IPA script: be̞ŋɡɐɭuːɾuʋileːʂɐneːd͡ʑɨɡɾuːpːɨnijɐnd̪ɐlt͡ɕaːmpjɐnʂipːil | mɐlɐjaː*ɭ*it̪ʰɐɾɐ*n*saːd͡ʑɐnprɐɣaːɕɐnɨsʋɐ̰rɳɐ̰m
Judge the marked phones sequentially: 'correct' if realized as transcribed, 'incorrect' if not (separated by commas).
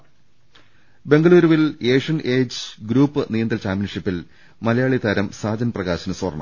correct, incorrect